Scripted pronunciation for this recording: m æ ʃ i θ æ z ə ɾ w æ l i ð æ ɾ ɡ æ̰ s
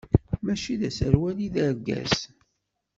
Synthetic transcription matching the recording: m æ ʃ i ð æ s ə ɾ w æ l i ð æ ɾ ɡ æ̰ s

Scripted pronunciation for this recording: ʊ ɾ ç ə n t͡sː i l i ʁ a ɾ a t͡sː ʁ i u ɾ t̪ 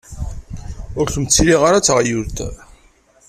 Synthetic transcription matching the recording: ʊ ɾ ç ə m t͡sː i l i ʁ a ɾ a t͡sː ʁ j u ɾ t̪

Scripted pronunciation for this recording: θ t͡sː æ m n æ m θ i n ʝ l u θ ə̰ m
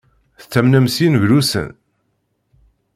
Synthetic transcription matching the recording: θ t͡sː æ m n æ m s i n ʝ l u s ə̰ n

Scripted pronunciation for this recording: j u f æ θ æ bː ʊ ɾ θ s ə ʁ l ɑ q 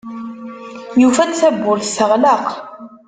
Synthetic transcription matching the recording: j u f æ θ æ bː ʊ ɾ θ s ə ʁ l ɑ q

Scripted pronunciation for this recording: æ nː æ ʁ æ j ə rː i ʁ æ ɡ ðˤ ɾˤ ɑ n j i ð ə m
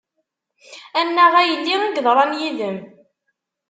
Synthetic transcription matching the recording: æ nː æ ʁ æ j ə lː i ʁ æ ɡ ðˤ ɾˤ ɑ n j i ð ə m

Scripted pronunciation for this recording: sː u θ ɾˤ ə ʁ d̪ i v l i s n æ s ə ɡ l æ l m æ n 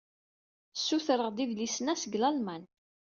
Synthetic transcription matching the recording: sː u θ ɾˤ ə ʁ d̪ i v l i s n æ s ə ɡ l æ l m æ n

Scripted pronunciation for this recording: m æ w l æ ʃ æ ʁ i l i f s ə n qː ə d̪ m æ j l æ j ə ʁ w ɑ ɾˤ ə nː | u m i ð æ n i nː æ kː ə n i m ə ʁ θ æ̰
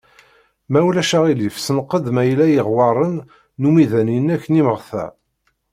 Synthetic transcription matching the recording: m æ w l æ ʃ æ ʁ i l i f s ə n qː ə d̪ m æ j l æ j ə ʁ w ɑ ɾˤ ə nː | u m i ð æ n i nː æ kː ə n i m ə ʁ θ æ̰

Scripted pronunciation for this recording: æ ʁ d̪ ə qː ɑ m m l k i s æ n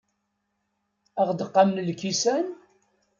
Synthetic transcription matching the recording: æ ʁ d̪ ə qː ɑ m n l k i s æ n

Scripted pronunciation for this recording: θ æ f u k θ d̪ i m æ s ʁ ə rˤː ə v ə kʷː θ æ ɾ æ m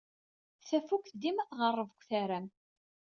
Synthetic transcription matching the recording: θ æ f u k θ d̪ i m æ θ ʁ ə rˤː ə v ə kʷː θ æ ɾ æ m

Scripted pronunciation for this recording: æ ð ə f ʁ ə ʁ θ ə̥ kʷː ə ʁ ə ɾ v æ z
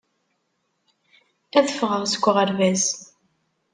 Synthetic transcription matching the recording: æ ð ə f ʁ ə ʁ s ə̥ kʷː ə ʁ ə ɾ v æ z

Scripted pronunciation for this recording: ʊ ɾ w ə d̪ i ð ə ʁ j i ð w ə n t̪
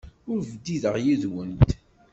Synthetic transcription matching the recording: ʊ ɾ v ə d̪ i ð ə ʁ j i ð w ə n t̪

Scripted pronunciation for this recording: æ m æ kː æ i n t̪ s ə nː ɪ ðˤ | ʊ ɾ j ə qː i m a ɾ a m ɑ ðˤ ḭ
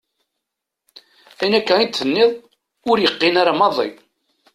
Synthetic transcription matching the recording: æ n æ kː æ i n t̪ θ ə nː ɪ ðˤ | ʊ ɾ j ə qː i n a ɾ a m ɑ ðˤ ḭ

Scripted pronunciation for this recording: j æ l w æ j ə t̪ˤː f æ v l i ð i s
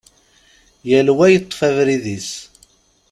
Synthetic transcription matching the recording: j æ l w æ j ə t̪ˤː f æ v ɾ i ð i s

